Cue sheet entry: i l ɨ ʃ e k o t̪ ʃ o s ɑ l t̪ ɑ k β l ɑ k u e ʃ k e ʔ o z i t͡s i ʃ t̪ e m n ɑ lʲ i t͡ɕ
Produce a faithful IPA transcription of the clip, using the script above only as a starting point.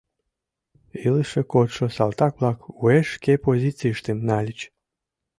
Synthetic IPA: i l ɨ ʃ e k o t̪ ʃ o s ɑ l t̪ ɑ k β l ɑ k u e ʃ k e p o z i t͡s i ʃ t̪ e m n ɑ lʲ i t͡ɕ